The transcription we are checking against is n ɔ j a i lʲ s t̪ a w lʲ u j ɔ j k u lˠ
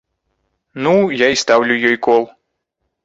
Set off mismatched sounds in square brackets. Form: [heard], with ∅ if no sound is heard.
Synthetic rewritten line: n [u] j a i [∅] s t̪ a w lʲ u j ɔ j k [ɔ] lˠ